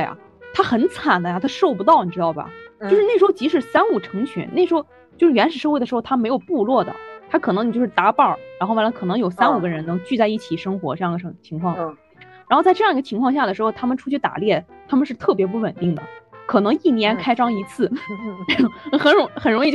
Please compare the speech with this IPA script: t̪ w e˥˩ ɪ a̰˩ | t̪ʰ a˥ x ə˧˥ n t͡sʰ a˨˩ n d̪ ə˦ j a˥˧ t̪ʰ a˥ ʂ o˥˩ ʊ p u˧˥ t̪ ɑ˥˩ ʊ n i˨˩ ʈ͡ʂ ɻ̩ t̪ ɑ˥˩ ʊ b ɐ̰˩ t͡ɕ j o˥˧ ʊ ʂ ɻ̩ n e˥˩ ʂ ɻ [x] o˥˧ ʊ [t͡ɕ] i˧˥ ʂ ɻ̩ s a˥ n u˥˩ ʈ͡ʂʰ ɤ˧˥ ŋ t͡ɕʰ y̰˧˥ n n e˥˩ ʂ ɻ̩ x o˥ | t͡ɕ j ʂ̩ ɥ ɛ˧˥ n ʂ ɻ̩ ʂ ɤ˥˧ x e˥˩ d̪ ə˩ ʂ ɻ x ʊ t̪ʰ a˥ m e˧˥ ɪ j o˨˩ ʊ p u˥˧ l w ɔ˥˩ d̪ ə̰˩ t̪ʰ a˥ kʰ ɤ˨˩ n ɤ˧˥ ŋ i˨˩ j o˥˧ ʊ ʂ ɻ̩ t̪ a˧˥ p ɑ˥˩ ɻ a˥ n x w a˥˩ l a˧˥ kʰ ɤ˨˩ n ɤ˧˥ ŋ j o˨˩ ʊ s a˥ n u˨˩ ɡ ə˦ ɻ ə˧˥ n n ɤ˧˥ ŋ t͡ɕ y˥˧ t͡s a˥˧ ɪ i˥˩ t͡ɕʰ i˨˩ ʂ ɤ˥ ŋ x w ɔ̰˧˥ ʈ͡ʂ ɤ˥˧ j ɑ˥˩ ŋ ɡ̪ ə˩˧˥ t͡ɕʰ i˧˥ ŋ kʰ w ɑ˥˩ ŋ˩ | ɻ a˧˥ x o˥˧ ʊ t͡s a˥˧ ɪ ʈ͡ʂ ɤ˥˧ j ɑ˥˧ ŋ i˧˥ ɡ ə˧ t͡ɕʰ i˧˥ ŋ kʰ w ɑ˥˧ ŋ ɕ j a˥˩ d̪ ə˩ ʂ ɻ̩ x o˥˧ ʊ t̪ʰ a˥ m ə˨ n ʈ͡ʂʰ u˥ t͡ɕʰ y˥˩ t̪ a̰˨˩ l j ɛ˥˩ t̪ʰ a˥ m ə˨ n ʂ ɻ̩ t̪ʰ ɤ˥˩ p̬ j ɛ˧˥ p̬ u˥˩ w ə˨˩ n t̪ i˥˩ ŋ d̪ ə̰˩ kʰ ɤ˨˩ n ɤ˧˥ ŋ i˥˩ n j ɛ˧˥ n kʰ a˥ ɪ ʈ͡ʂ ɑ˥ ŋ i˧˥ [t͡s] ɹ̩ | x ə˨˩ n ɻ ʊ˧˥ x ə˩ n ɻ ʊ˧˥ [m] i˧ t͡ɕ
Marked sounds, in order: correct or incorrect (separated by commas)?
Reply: correct, correct, incorrect, incorrect